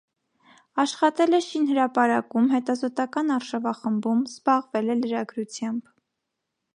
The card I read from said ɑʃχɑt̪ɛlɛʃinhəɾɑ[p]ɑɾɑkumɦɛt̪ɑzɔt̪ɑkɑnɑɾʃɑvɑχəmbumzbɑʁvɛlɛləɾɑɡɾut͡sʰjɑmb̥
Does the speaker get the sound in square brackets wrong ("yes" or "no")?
no